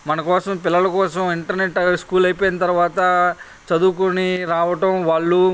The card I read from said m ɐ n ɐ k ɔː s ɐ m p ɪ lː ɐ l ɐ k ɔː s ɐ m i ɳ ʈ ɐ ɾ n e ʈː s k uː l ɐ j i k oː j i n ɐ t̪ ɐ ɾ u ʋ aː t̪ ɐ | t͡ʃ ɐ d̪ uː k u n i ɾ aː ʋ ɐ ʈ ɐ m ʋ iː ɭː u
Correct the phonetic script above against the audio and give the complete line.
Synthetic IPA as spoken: m ɐ n ɐ k ɔː s ɐ m p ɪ lː ɐ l ɐ k ɔː s ɐ m i ɳ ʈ ɐ ɾ n e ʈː s k uː l ɐ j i p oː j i n ɐ t̪ ɐ ɾ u ʋ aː t̪ ɐ | t͡ʃ ɐ d̪ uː k u n i ɾ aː ʋ ɐ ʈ ɐ m ʋ aː ɭː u